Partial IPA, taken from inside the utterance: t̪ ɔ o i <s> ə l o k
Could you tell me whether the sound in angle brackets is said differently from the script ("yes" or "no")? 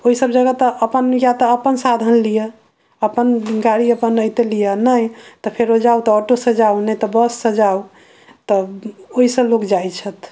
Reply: no